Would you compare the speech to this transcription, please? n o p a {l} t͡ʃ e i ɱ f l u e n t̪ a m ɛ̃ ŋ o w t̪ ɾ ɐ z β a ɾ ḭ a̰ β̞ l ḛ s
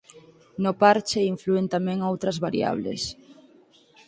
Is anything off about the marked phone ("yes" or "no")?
yes